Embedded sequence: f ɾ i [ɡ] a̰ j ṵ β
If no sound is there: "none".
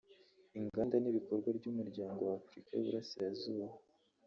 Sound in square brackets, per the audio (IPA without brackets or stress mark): k